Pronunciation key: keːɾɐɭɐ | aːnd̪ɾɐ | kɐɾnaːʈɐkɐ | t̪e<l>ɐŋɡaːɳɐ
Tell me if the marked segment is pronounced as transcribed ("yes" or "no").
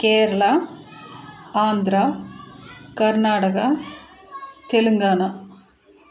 yes